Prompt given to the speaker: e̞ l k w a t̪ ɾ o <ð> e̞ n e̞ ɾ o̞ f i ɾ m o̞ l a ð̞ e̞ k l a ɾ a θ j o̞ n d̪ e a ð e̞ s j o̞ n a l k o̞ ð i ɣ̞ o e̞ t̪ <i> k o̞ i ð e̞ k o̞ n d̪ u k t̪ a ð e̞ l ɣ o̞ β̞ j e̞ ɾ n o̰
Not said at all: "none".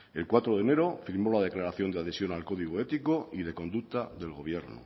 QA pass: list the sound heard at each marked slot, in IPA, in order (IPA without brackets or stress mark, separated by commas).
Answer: ð, i